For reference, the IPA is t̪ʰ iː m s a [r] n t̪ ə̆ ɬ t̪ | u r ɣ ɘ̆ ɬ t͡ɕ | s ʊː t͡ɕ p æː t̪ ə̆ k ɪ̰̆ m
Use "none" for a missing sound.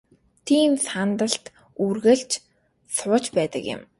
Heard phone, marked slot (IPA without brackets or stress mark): none